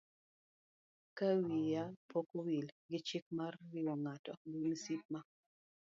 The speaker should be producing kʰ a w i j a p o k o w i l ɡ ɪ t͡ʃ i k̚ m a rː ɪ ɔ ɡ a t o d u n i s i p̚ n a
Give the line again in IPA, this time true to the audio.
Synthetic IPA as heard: k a w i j a p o k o w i l ɡ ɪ t͡ʃ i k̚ m a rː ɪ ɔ ŋ a t ɔ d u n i s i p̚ m a